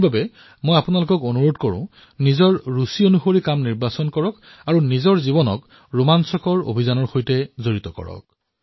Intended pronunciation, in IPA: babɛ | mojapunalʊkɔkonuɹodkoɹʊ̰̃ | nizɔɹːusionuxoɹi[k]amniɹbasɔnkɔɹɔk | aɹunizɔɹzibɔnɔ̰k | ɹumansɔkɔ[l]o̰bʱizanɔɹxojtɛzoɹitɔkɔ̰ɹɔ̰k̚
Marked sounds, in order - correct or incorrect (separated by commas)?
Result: correct, incorrect